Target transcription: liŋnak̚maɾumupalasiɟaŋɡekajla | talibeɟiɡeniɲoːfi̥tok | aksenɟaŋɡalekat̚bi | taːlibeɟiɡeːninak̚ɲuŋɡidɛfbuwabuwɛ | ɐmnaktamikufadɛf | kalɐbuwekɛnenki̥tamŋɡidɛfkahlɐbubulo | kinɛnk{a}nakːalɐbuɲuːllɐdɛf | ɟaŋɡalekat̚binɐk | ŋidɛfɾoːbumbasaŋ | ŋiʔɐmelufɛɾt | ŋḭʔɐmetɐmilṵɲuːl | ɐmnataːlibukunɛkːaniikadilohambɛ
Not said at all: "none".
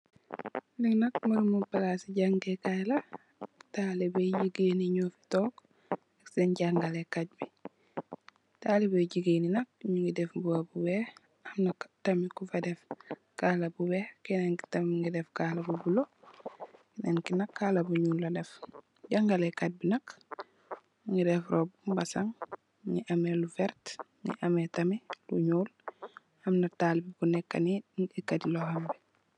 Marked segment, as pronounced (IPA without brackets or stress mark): i